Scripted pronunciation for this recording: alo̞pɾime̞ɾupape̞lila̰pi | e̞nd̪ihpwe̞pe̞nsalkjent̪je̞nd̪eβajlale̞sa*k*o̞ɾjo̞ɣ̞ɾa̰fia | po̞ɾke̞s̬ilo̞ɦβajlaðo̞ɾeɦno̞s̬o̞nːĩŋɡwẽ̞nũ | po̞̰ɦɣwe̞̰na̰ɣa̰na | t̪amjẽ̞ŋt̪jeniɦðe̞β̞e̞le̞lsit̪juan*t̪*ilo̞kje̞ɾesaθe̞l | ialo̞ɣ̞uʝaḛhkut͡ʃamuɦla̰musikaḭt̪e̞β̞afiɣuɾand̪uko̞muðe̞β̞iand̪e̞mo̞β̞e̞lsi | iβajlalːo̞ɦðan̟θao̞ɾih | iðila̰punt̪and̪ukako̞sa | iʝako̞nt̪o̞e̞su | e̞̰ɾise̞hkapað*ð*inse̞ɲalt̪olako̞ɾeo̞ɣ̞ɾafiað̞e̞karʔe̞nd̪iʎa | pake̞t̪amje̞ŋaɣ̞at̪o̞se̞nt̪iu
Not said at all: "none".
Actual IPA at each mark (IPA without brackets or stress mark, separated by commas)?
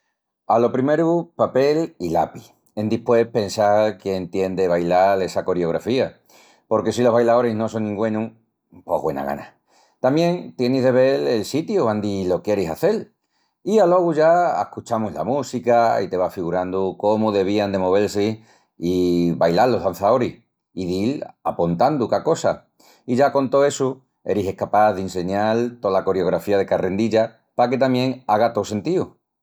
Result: k, d̪, ð